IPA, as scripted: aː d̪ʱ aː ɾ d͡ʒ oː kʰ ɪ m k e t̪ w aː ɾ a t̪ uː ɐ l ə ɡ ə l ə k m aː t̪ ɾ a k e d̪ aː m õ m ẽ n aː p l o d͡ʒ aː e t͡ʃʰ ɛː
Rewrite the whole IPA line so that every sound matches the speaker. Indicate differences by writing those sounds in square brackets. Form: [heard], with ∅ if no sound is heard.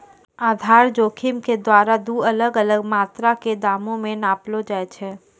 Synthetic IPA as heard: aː d̪ʱ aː ɾ d͡ʒ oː kʰ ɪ m k e [d̪] w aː ɾ a [d̪] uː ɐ l ə ɡ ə l ə [ɡ] m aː t̪ ɾ a k e d̪ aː m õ m ẽ n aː p l o d͡ʒ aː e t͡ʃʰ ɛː